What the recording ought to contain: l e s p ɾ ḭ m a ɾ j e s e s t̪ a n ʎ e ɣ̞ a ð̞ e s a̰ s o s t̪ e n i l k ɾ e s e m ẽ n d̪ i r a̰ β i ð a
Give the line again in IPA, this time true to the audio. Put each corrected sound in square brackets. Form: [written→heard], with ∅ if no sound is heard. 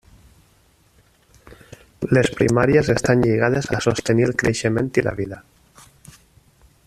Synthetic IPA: l e s p ɾ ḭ m a ɾ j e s e s t̪ a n ʎ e ɣ̞ a ð̞ e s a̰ s o s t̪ e n i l k ɾ e [s→ʃ] e m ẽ n [d̪→t̪] i [r→l] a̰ β i ð a